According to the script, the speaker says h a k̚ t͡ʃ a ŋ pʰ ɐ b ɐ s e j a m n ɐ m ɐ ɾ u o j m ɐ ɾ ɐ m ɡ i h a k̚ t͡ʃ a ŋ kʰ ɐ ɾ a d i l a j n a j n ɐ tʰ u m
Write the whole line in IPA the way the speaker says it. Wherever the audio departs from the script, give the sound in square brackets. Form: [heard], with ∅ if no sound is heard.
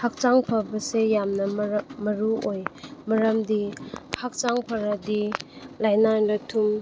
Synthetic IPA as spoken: h a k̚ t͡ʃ a ŋ pʰ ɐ b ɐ s e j a m n ɐ m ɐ ɾ u o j m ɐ ɾ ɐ m [d] i h a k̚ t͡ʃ a ŋ [pʰ] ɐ ɾ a d i l a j n a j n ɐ tʰ u m